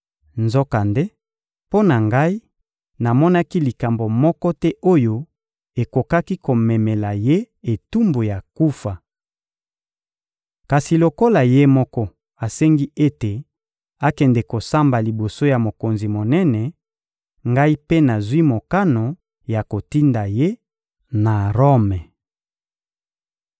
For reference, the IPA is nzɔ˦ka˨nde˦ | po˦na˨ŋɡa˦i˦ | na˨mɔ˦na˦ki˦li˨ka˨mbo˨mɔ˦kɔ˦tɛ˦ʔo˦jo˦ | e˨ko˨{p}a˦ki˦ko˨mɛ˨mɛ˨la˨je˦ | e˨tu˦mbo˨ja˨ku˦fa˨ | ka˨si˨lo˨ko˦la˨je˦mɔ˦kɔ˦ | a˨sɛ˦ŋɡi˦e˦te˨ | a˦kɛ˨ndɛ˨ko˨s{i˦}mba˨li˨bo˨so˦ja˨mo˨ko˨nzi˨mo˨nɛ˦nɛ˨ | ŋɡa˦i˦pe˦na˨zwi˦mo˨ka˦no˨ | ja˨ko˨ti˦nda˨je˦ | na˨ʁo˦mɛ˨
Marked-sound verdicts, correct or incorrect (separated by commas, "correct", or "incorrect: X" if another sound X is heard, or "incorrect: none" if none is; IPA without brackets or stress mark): incorrect: k, incorrect: a˦